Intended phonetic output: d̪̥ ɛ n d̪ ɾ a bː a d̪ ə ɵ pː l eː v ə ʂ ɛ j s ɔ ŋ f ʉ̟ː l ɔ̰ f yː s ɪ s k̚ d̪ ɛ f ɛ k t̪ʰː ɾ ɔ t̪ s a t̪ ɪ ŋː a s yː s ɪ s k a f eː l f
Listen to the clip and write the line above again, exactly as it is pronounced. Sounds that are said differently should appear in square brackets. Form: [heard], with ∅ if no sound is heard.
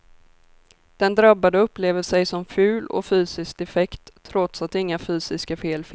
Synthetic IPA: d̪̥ ɛ n d̪ ɾ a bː a d̪ ə ɵ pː l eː v ə ʂ ɛ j s ɔ [m] f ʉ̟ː l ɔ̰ f yː s ɪ s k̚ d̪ ɛ f ɛ k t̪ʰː ɾ ɔ t̪ s a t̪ ɪ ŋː a [f] yː s ɪ s k a f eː l f